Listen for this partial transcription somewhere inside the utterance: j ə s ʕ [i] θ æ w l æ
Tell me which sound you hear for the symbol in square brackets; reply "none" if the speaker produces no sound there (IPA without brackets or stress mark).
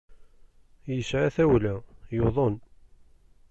a